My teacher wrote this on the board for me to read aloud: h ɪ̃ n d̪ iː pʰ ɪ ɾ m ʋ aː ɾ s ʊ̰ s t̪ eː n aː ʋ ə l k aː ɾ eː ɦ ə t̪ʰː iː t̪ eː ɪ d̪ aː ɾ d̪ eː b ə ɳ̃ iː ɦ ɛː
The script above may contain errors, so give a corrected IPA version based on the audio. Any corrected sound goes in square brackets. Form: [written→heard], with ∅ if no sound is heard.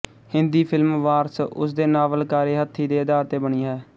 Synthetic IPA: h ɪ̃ n d̪ iː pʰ ɪ [ɾ→l] m ʋ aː ɾ s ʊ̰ s [t̪→d̪] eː n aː ʋ ə l k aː ɾ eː ɦ ə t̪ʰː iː [t̪→d̪] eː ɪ d̪ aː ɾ [d̪→t̪] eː b ə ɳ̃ iː ɦ ɛː

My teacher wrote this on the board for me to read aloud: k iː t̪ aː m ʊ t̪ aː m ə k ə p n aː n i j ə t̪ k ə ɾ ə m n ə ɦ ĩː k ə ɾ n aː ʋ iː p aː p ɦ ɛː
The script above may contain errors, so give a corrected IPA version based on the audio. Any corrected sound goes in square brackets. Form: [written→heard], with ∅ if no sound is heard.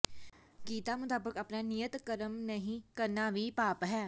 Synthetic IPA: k iː t̪ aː m ʊ t̪ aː [m→b] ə k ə p n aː n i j ə t̪ k ə ɾ ə m n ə ɦ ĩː k ə ɾ n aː ʋ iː p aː p ɦ ɛː

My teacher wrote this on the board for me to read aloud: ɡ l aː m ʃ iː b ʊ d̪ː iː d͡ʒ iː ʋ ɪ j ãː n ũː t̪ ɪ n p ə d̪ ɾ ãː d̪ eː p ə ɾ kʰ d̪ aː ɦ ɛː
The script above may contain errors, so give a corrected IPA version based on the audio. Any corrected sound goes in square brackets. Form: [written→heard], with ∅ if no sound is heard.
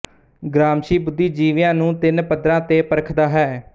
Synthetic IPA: ɡ [l→ɾ] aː m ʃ iː b ʊ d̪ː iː d͡ʒ iː ʋ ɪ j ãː n ũː t̪ ɪ n p ə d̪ ɾ ãː [d̪→t̪] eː p ə ɾ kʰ d̪ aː ɦ ɛː

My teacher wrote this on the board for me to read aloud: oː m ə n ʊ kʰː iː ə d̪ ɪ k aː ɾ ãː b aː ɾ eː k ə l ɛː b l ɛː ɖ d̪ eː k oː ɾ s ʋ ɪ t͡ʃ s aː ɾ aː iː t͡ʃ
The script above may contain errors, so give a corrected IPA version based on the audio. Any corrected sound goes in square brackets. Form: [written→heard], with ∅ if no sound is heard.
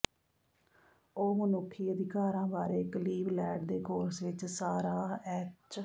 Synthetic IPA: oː m ə n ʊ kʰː iː ə d̪ ɪ k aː ɾ ãː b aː ɾ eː k ə l [ɛː→iː] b l ɛː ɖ d̪ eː k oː ɾ s ʋ ɪ t͡ʃ s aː ɾ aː [iː→ɛː] t͡ʃ

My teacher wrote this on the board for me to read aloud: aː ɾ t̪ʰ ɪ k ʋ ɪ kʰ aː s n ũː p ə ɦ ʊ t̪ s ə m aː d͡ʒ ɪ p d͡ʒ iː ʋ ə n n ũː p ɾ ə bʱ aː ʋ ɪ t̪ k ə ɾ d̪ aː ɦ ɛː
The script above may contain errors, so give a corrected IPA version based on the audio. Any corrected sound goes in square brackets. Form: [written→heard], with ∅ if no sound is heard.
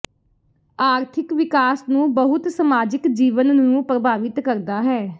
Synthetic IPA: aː ɾ t̪ʰ ɪ k ʋ ɪ [kʰ→k] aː s n ũː [p→b] ə ɦ ʊ t̪ s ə m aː d͡ʒ ɪ [p→k] d͡ʒ iː ʋ ə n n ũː p ɾ ə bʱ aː ʋ ɪ t̪ k ə ɾ d̪ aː ɦ ɛː

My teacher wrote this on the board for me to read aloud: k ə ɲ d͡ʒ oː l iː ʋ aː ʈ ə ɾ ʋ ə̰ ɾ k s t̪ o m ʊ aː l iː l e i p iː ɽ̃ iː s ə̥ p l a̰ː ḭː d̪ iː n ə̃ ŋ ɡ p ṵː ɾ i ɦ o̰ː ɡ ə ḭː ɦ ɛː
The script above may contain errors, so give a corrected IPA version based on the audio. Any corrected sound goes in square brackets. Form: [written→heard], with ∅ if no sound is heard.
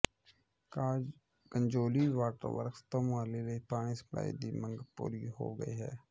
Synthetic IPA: k ə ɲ d͡ʒ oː l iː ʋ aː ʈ ə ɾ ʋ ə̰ ɾ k s t̪ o m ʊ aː l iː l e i p [iː→aː] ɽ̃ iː s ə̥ p l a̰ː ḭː d̪ iː [n→m] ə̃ ŋ ɡ p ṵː ɾ i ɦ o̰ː ɡ ə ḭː ɦ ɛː

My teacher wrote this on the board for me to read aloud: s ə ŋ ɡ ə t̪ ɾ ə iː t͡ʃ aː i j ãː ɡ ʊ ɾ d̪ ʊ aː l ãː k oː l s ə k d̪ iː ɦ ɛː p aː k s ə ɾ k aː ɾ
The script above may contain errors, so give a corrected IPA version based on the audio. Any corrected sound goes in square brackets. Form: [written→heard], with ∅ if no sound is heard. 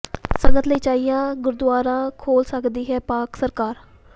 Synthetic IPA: s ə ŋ ɡ ə t̪ [ɾ→l] ə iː t͡ʃ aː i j ãː ɡ ʊ ɾ d̪ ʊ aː [l→ɾ] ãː [k→kʰ] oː l s ə k d̪ iː ɦ ɛː p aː k s ə ɾ k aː ɾ

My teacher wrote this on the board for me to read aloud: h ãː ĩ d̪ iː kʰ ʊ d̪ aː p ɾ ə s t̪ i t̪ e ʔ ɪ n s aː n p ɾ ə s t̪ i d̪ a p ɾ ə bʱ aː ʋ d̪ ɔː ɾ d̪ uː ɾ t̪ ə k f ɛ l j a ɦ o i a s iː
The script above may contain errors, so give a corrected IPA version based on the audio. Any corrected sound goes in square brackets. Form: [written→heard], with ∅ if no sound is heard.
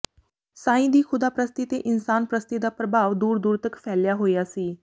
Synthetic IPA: [h→s] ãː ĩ d̪ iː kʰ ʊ d̪ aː p ɾ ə s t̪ i t̪ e ʔ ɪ n s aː n p ɾ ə s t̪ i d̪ a p ɾ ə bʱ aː ʋ d̪ [ɔː→uː] ɾ d̪ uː ɾ t̪ ə k f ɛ l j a ɦ o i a s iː

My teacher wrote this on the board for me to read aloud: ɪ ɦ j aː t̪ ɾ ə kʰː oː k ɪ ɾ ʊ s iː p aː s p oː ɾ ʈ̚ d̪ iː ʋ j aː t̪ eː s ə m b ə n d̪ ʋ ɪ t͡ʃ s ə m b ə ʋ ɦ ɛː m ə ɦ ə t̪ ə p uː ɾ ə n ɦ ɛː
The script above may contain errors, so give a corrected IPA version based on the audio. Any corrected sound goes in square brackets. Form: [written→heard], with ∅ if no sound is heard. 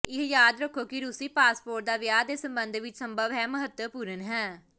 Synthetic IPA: ɪ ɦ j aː [t̪→d̪] ɾ ə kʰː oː k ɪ ɾ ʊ s iː p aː s p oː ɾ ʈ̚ d̪ [iː→aː] ʋ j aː [t̪→d̪] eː s ə m b ə n d̪ ʋ ɪ t͡ʃ s ə m b ə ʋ ɦ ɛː m ə ɦ ə t̪ ə p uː ɾ ə n ɦ ɛː

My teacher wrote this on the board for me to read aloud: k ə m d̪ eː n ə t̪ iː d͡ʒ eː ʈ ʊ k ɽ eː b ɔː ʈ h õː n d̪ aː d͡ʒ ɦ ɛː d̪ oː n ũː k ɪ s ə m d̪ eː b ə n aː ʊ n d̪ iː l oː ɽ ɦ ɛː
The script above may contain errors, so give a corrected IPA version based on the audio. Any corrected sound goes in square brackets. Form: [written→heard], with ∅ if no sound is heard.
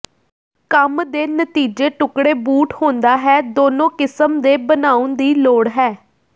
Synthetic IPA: k ə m d̪ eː n ə t̪ iː d͡ʒ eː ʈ ʊ k ɽ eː b [ɔː→uː] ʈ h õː n d̪ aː [d͡ʒ→∅] ɦ ɛː d̪ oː n [ũː→õː] k ɪ s ə m d̪ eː b ə n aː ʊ n d̪ iː l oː ɽ ɦ ɛː

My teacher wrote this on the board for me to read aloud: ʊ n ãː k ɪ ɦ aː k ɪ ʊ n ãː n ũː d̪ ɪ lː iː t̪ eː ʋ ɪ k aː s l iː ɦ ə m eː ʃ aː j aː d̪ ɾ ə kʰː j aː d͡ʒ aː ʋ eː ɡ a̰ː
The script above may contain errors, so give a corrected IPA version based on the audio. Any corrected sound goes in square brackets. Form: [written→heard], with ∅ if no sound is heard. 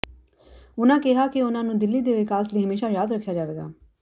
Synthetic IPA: ʊ n ãː k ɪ ɦ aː k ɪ ʊ n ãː n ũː d̪ ɪ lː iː [t̪→d̪] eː ʋ ɪ k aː s l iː ɦ ə m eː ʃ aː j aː d̪ ɾ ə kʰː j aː d͡ʒ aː ʋ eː ɡ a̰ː

